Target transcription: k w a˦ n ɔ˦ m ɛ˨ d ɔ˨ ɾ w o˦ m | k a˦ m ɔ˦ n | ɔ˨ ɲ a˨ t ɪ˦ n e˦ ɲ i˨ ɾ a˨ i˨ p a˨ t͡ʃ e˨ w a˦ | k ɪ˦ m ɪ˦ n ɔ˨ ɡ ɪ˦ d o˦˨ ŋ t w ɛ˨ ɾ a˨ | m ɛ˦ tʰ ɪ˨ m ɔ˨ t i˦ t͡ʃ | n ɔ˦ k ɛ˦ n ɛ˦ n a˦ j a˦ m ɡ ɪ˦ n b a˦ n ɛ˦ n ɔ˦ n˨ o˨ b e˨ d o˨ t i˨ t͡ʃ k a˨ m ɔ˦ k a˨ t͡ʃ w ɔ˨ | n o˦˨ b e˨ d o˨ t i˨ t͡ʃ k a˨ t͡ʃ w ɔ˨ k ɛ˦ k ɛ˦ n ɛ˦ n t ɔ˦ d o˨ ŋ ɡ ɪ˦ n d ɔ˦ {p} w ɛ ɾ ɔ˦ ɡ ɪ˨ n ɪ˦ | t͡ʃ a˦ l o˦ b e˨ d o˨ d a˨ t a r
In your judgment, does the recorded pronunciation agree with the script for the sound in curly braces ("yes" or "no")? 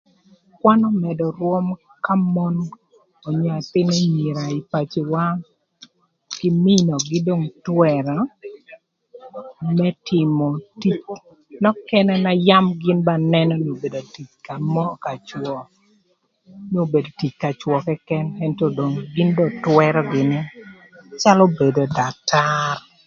no